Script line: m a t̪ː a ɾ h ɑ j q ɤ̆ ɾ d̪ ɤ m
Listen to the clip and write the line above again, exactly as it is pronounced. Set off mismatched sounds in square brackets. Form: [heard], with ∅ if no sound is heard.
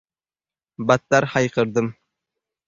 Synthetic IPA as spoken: [b] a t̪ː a ɾ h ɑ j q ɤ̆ ɾ d̪ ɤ m